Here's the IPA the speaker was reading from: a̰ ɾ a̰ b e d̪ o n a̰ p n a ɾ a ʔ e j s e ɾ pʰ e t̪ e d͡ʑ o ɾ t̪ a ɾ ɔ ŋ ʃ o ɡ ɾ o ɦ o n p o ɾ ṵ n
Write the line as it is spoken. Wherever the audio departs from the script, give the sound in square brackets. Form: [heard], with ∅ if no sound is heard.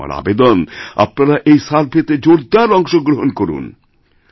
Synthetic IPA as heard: a̰ ɾ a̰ b e d̪ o n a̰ p n a ɾ a ʔ e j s [a] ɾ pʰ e t̪ e d͡ʑ o ɾ [d̪] a ɾ ɔ ŋ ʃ o ɡ ɾ o ɦ o n [k] o ɾ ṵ n